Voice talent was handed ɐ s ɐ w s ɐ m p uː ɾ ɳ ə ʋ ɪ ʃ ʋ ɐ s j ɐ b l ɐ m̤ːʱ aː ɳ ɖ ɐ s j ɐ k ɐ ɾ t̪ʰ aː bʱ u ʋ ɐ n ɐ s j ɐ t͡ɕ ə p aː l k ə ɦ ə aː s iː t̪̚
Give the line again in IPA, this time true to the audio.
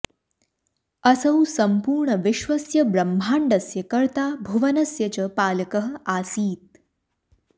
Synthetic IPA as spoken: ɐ s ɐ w s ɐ m p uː ɾ ɳ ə ʋ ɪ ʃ ʋ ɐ s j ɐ b ɾ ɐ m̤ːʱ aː ɳ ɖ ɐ s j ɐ k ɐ ɾ t̪ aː bʱ u ʋ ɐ n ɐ s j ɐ t͡ɕ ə p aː l k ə ɦ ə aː s iː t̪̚

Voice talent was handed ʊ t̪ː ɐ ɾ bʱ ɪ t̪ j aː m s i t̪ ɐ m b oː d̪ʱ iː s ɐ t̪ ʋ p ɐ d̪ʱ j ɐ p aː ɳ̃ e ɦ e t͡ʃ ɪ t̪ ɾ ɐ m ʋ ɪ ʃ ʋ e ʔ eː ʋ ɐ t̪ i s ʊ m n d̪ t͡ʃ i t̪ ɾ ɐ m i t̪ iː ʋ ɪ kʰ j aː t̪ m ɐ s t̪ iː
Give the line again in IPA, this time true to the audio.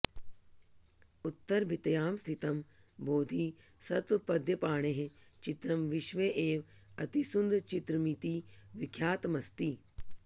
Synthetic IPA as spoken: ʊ t̪ː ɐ ɾ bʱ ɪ t̪ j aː m s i t̪ ɐ m b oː d̪ʱ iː s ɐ t̪ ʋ p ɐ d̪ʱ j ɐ p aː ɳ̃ e ɦ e t͡ʃ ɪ t̪ ɾ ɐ m ʋ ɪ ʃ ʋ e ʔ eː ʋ ɐ t̪ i s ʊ n d̪ t͡ʃ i t̪ ɾ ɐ m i t̪ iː ʋ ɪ kʰ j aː t̪ m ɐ s t̪ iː

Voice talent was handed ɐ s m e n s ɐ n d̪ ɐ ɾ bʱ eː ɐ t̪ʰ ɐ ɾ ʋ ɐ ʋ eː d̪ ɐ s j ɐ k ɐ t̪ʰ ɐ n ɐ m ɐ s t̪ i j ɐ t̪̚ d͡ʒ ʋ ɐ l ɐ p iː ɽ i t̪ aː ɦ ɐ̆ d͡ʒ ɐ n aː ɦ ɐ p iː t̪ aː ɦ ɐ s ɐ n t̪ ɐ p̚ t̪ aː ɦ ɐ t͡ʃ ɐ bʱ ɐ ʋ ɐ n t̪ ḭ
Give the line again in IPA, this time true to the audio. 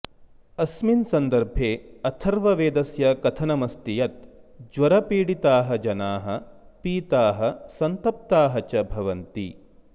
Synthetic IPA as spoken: ɐ s m i n s ɐ n d̪ ɐ ɾ bʱ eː ɐ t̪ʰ ɐ ɾ ʋ ɐ ʋ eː d̪ ɐ s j ɐ k ɐ t̪ʰ ɐ n ɐ m ɐ s t̪ i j ɐ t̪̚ d͡ʒ ʋ ɐ ɾ ɐ p iː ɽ i t̪ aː ɦ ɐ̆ d͡ʒ ɐ n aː ɦ ɐ p iː t̪ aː ɦ ɐ s ɐ n t̪ ɐ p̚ t̪ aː ɦ ɐ t͡ʃ ɐ bʱ ɐ ʋ ɐ n t̪ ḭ

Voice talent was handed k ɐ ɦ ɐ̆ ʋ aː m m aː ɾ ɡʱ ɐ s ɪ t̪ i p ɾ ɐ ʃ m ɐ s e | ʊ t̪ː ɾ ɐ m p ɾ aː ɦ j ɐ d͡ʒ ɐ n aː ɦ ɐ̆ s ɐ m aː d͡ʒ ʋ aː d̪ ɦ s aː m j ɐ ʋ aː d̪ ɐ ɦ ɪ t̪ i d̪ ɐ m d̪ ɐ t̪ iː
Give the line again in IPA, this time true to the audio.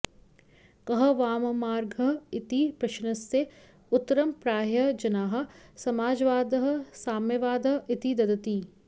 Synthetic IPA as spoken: k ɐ ɦ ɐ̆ ʋ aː m m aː ɾ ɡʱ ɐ ɪ t̪ i p ɾ ɐ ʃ n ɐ s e | ʊ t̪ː ɾ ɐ m p ɾ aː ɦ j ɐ d͡ʒ ɐ n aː ɦ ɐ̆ s ɐ m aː d͡ʒ ʋ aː d̪ ɦ s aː m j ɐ ʋ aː d̪ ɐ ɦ ɪ t̪ i d̪ ɐ d̪ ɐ t̪ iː

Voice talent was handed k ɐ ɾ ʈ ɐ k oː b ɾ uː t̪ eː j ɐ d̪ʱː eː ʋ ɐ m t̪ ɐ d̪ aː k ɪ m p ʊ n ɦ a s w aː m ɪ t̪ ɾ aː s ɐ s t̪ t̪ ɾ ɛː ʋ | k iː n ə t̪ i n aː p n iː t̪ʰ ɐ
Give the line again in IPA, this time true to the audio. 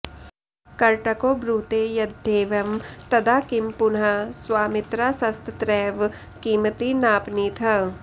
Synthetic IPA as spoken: k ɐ ɾ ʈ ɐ k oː b ɾ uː t̪ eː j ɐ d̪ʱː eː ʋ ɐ m t̪ ɐ d̪ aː k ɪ m p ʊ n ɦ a s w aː m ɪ t̪ ɾ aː s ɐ s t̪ t̪ ɾ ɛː ʋ | k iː m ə t̪ i n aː p n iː t̪ʰ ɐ

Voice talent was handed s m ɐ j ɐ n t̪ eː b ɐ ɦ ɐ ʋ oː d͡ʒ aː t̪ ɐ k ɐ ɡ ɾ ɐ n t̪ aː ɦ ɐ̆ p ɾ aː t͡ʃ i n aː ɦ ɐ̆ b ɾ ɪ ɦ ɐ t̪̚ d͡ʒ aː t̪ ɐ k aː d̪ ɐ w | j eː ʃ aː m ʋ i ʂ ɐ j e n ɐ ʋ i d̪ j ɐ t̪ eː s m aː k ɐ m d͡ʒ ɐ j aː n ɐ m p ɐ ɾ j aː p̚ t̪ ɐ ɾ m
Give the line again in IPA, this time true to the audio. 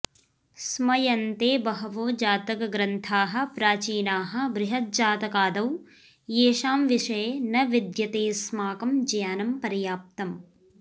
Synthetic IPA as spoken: s m ɐ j ɐ n t̪ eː b ɐ ɦ ɐ ʋ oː d͡ʒ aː t̪ ɐ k ɐ ɡ ɾ ɐ n t̪ʰ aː ɦ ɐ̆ p ɾ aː t͡ʃ iː n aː ɦ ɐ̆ b ɾ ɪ ɦ ɐ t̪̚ d͡ʒ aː t̪ ɐ k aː d̪ ɐ w | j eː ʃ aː m ʋ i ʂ ɐ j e n ɐ ʋ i d̪ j ɐ t̪ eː s m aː k ɐ m d͡ʒ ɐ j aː n ɐ m p ɐ ɾ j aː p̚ t̪ ɐ m

